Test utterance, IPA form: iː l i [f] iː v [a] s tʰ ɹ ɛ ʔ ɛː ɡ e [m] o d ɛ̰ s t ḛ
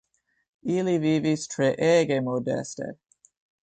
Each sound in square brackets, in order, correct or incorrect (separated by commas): incorrect, incorrect, correct